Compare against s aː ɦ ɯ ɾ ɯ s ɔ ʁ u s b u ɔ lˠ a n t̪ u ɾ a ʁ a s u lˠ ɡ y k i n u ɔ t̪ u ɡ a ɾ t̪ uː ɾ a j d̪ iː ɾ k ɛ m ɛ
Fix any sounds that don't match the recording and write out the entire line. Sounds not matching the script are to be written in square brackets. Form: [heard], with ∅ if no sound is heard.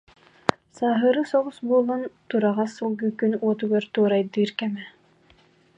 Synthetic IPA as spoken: s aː ɦ ɯ ɾ ɯ s ɔ ʁ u s b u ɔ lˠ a n t̪ u ɾ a ʁ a s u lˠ ɡ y k [y] n u ɔ t̪ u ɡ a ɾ t̪ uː ɾ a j d̪ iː ɾ k ɛ m ɛ

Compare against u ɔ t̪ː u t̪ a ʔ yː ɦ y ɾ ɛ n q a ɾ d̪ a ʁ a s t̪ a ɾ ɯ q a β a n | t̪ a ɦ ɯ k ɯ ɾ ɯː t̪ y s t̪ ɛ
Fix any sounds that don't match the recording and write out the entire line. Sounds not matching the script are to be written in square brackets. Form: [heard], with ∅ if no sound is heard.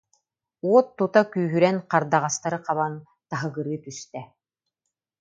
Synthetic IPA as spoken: u ɔ t̪ː u t̪ a [k] yː ɦ y ɾ ɛ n q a ɾ d̪ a ʁ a s t̪ a ɾ ɯ q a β a n | t̪ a ɦ ɯ [ɡ] ɯ ɾ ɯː t̪ y s t̪ ɛ

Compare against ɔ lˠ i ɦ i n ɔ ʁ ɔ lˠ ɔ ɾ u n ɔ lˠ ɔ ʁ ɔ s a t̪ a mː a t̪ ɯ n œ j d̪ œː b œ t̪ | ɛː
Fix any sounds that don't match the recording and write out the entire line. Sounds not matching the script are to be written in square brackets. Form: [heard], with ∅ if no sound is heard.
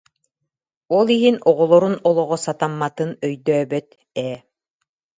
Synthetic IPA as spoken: ɔ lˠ i ɦ i n ɔ ʁ ɔ lˠ ɔ ɾ u n ɔ lˠ ɔ ʁ ɔ s a t̪ a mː a t̪ ɯ n œ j d̪ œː b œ t̪ | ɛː

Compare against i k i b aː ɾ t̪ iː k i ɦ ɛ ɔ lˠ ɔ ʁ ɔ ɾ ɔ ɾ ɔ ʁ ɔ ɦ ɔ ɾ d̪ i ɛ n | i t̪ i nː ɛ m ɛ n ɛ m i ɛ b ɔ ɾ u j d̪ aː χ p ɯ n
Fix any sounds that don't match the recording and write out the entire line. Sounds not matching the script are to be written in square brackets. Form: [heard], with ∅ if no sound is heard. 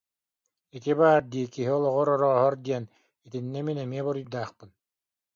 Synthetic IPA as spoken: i k i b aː ɾ [d̪] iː k i ɦ [i] ɔ lˠ ɔ ʁ ɔ ɾ ɔ ɾ ɔ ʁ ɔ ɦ ɔ ɾ d̪ i ɛ n | i t̪ i nː ɛ m [i] n ɛ m i ɛ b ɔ ɾ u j d̪ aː χ p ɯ n

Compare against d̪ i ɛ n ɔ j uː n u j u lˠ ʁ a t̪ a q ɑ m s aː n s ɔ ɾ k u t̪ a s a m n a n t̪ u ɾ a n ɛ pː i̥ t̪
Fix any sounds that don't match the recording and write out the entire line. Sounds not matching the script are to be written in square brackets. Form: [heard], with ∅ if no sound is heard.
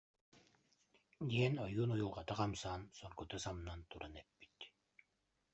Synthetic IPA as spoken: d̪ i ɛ n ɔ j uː n u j u lˠ ʁ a t̪ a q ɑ m s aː n s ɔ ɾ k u t̪ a s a m n a n t̪ u ɾ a n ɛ pː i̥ t̪

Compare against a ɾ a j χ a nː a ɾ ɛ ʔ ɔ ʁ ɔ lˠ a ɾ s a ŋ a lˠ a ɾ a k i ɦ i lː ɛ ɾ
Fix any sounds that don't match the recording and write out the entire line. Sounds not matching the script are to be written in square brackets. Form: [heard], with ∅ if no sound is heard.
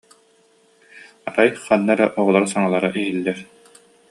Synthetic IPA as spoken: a ɾ a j χ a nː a ɾ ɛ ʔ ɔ ʁ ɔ lˠ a ɾ s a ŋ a lˠ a ɾ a [ʔ] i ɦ i lː ɛ ɾ

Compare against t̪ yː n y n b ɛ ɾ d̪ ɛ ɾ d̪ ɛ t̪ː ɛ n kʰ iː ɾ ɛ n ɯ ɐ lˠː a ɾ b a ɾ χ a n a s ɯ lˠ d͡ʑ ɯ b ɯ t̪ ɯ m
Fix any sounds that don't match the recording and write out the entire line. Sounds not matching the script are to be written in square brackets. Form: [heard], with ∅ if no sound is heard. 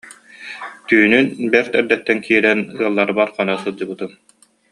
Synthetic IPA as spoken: t̪ yː n y n b ɛ ɾ [t̪] ɛ ɾ d̪ ɛ t̪ː ɛ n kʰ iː ɾ ɛ n ɯ ɐ lˠː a ɾ b a ɾ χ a n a s ɯ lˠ d͡ʑ ɯ b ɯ t̪ ɯ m

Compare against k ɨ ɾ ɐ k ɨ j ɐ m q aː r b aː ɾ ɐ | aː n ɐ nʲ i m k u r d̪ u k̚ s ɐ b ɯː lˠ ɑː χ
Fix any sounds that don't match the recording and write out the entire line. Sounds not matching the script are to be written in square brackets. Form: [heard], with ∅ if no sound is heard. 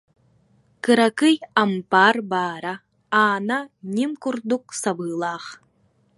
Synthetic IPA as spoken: k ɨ ɾ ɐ k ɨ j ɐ m [p] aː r b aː ɾ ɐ | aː n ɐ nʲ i m k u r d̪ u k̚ s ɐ b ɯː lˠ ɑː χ

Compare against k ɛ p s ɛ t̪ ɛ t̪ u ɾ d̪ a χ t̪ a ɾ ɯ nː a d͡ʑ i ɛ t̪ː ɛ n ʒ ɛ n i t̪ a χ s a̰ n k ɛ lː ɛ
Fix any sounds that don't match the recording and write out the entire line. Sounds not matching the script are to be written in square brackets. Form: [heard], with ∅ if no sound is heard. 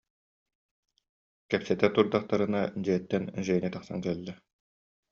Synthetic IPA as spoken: k ɛ p s ɛ t̪ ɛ t̪ u ɾ d̪ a χ t̪ a ɾ ɯ [n] a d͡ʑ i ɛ t̪ː ɛ n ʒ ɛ n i t̪ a χ s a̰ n k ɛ lː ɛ

